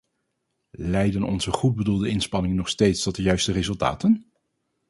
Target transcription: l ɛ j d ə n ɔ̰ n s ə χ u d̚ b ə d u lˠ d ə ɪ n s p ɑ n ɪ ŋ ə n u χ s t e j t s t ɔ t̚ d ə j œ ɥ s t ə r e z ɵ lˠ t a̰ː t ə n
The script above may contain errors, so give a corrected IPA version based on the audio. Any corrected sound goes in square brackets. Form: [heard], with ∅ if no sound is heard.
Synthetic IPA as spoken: l ɛ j d ə n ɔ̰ n [z] ə χ u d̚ b ə d u lˠ d ə ɪ n s p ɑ n ɪ ŋ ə n [ɔ] χ s t e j t s t ɔ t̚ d ə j œ ɥ s t ə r e z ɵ lˠ t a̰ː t ə n

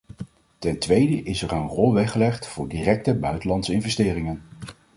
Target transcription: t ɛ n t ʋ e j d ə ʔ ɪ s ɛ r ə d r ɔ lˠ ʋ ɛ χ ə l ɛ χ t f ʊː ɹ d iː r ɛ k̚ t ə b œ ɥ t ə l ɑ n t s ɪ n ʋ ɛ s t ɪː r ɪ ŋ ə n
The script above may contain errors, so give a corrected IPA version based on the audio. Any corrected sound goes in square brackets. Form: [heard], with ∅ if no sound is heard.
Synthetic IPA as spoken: t ɛ n t ʋ e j d ə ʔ ɪ s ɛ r ə [n] r ɔ lˠ ʋ ɛ χ ə l ɛ χ t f ʊː ɹ d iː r ɛ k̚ t ə b œ ɥ t ə l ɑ n t s ɪ n [v] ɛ s t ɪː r ɪ ŋ ə n

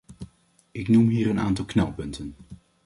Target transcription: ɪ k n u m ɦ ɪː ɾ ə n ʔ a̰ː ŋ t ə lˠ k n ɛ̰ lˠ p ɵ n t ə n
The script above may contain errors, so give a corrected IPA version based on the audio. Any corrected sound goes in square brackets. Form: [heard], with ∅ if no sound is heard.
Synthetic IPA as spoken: ɪ k n u m ɦ [iː] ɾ ə n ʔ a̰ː [n] t [ɑ] lˠ k n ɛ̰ lˠ p ɵ n t ə n

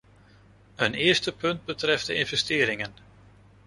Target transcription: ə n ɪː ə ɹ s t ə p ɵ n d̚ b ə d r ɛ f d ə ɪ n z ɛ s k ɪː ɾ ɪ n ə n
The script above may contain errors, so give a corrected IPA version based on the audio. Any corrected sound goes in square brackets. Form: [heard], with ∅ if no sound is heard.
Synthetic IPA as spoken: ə n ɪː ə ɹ s t ə p ɵ n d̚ b ə [t] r ɛ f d ə ɪ n [v] ɛ s [t] ɪː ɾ ɪ [ŋ] ə n

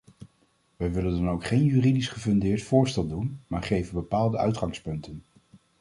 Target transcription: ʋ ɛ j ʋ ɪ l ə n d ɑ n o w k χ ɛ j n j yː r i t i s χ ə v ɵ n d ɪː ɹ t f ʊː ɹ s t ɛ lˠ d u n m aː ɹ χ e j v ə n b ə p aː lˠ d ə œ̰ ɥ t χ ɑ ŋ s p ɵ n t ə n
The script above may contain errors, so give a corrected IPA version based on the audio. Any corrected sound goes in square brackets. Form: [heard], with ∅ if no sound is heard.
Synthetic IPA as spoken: ʋ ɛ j ʋ ɪ l ə n d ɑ n o w k χ [e] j n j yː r i [d] i s χ ə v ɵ n d ɪː ɹ t f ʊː ɹ s t ɛ lˠ d u n m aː ɹ χ e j v ə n b ə p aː lˠ d ə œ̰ ɥ t χ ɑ ŋ s p ɵ n t ə n

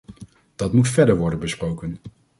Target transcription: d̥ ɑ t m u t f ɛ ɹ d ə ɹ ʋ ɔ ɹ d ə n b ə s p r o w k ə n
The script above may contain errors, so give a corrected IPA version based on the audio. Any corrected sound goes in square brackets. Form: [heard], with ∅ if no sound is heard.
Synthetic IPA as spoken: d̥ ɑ t m u t f ɛ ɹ d ə ɹ ʋ ɔ ɹ d ə n b ə s p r o w k ə n

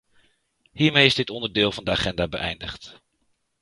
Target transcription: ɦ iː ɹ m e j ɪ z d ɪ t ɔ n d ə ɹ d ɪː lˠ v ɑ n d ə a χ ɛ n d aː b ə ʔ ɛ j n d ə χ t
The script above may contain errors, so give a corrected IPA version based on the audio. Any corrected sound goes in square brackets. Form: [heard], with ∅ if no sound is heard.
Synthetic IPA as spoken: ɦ iː ɹ m e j ɪ z d ɪ t ɔ n d ə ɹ d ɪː lˠ v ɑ n d ə a χ ɛ n d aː b ə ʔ ɛ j n d ə χ t

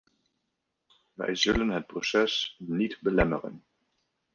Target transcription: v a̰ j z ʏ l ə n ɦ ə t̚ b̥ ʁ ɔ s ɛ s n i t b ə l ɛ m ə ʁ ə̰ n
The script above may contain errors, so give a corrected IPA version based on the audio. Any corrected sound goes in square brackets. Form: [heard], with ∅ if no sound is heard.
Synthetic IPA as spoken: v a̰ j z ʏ l ə n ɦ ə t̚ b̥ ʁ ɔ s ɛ s n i t b ə l ɛ m ə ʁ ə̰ n

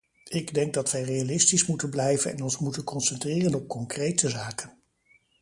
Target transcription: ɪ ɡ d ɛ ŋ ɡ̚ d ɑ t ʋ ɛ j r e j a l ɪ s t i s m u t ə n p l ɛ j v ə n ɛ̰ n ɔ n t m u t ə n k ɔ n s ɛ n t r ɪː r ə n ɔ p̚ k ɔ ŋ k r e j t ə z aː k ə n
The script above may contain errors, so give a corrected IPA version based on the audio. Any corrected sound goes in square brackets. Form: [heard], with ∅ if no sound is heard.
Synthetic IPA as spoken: ɪ ɡ d ɛ ŋ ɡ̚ d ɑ t ʋ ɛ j r e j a l ɪ s t i s m u t ə n [b] l ɛ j v ə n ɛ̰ n ɔ n [s] m u t ə n k ɔ n s ɛ n t r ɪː r ə n ɔ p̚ k ɔ ŋ k r e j t ə z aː k ə n

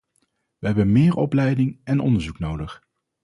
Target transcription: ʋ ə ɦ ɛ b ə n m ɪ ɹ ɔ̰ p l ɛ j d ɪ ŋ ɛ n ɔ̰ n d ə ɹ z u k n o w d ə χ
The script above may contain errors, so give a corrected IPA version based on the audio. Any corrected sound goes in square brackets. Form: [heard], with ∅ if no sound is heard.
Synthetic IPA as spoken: ʋ ə ɦ ɛ b ə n m [ɪː] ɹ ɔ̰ p l ɛ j d ɪ ŋ ɛ n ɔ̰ n d ə ɹ z u k n o w d ə χ

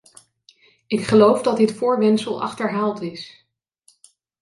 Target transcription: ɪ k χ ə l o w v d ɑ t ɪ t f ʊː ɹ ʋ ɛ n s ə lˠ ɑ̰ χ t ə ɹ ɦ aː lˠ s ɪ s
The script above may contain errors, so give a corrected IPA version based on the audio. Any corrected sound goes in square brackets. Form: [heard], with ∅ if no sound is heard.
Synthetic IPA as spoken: ɪ k χ ə l o w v d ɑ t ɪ t f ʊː ɹ ʋ ɛ n s ə lˠ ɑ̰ χ t ə ɹ ɦ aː lˠ [t] ɪ s

